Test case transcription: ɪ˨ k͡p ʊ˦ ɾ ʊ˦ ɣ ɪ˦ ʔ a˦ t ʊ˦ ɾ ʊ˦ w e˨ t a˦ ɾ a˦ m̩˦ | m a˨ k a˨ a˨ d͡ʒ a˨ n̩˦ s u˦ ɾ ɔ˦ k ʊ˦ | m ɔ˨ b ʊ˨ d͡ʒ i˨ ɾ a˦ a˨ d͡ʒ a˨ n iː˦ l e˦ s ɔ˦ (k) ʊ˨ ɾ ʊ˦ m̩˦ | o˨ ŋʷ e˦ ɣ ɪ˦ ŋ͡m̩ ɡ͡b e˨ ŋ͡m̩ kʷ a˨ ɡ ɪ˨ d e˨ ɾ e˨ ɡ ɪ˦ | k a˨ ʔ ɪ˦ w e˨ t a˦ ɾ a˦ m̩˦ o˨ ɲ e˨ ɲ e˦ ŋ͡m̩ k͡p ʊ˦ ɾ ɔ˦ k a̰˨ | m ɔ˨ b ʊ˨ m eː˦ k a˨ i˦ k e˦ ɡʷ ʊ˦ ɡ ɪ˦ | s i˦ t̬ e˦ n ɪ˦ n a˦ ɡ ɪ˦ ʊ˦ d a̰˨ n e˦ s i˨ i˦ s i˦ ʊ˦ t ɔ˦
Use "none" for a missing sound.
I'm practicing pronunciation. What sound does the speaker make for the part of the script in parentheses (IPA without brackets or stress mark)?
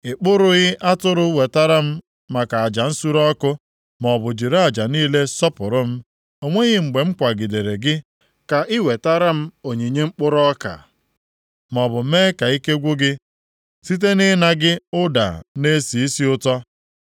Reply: p